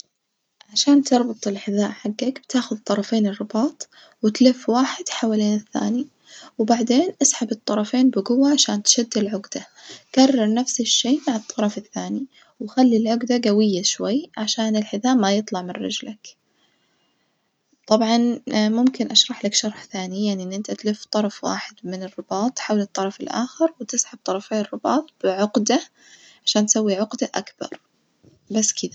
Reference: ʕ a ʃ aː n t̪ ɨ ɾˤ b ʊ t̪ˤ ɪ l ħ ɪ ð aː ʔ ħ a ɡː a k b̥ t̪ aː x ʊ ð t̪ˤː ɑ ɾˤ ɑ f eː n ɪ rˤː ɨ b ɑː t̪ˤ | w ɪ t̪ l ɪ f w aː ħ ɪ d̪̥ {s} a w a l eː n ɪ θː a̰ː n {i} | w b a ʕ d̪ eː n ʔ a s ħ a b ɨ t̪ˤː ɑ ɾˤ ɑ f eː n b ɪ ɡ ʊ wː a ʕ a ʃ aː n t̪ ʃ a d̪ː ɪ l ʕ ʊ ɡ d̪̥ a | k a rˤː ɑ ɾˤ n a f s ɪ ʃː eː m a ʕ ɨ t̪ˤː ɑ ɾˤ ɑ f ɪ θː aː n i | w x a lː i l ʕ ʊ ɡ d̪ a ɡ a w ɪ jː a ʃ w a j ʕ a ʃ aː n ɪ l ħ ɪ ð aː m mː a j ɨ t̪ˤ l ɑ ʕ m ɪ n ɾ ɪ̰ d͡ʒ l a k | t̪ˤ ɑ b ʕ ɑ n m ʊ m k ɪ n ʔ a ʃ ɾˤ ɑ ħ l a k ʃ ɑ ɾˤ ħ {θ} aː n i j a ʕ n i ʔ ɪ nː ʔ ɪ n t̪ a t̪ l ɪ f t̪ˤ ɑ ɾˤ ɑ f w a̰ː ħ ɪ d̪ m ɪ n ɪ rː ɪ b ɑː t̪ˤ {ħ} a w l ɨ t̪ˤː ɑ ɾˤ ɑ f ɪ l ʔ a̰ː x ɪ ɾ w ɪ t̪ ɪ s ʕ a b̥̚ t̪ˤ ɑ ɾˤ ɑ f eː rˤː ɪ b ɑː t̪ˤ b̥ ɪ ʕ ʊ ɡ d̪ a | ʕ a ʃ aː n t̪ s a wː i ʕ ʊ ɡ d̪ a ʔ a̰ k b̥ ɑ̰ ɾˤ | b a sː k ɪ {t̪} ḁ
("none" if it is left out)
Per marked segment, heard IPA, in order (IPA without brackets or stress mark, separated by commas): ħ, i, θ, ħ, d̪